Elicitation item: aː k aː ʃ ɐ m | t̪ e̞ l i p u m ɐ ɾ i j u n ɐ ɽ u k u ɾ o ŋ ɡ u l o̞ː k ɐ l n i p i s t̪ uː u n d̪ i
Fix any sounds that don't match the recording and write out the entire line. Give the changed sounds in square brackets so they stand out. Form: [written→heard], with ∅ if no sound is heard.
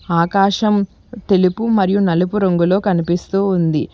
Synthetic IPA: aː k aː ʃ ɐ m | t̪ e̞ l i p u m ɐ ɾ i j u n ɐ [ɽ→l] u [k→p] u ɾ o ŋ ɡ u l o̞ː k ɐ [l→∅] n i p i s t̪ uː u n d̪ i